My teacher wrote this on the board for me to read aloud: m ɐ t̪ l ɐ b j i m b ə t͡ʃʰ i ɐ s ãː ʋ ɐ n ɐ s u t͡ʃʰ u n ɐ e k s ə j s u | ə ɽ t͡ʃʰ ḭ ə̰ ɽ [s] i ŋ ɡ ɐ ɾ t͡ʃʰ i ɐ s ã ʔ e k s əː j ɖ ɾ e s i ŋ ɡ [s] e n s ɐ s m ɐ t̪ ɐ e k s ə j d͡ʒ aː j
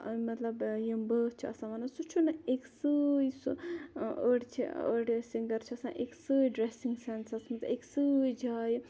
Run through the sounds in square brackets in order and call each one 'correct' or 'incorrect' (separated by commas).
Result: correct, correct